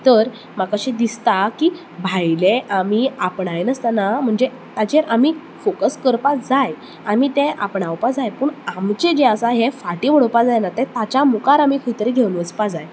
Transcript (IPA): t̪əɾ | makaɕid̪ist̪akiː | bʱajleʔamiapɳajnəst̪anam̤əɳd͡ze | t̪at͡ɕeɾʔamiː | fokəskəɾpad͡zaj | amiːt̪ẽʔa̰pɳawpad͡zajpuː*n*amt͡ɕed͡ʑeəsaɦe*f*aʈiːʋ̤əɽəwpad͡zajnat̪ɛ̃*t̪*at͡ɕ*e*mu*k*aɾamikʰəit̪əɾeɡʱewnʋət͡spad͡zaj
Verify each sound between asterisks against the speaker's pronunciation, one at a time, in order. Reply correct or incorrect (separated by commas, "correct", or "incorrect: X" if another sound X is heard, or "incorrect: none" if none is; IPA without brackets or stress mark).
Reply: incorrect: ɳ, correct, correct, incorrect: a, correct